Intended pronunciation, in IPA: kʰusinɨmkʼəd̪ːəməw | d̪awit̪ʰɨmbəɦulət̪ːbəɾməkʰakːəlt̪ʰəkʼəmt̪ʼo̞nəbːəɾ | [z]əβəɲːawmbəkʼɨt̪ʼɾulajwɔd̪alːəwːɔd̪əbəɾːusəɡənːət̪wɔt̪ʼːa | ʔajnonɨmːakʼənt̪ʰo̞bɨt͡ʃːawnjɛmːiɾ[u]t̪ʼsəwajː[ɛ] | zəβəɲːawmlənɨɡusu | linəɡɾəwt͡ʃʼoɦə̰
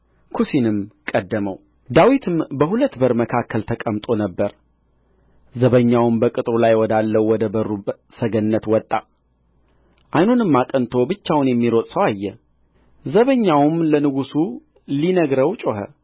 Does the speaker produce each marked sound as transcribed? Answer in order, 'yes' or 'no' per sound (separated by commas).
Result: yes, no, yes